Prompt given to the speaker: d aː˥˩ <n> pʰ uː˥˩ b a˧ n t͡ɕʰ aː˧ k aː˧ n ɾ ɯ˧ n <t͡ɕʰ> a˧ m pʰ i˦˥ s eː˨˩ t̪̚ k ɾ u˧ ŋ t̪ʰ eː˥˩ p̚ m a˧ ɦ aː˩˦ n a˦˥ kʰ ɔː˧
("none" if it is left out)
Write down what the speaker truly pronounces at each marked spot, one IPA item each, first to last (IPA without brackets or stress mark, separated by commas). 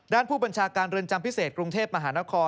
n, t͡ɕ